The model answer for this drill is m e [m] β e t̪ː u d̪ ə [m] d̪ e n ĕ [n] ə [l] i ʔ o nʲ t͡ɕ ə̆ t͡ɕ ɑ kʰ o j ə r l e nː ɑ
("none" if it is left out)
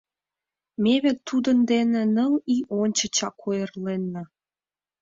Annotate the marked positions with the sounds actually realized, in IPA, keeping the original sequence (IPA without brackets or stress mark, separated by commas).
none, n, n, l